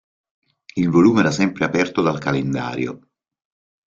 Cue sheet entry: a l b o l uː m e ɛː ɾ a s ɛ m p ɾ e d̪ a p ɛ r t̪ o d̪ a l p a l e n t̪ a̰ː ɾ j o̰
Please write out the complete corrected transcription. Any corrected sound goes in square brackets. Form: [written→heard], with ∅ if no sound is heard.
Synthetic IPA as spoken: [a→i] l [b→v] o l uː m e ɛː ɾ a s ɛ m p ɾ e [d̪→∅] a p ɛ r t̪ o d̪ a l [p→k] a l e n [t̪→d̪] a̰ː ɾ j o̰